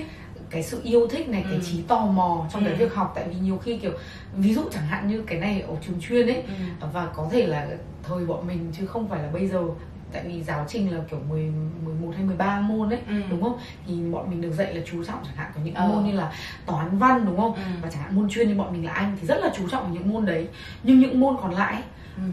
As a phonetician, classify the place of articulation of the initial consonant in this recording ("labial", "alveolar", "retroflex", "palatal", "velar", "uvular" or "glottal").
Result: velar